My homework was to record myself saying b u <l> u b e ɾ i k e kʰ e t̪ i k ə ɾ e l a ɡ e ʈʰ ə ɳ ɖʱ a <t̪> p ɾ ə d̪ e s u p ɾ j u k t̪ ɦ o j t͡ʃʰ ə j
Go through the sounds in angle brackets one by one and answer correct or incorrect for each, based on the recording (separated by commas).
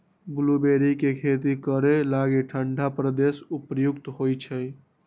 correct, incorrect